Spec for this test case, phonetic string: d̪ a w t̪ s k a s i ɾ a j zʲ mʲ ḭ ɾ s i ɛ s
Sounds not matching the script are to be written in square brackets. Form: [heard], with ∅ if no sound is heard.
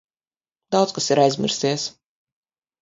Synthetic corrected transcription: d̪ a w t̪ s k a s i ɾ a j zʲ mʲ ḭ ɾ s i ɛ s